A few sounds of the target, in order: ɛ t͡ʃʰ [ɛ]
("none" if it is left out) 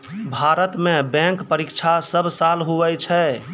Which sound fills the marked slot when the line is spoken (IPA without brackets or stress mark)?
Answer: ɛ